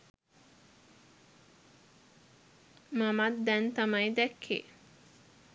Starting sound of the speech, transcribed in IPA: m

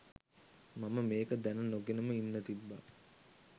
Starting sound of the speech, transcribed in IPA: m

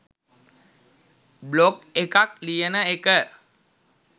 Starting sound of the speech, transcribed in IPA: b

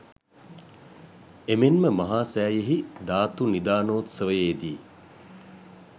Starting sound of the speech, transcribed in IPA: e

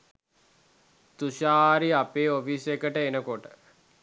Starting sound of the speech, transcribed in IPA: t̪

